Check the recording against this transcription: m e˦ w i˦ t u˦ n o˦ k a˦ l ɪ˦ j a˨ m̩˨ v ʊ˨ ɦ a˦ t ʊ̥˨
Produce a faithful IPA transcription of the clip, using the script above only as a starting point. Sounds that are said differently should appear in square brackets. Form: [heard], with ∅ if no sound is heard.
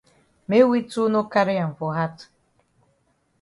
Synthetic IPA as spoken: m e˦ w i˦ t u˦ n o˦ k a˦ [ɾ] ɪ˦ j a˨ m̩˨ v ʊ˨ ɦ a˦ t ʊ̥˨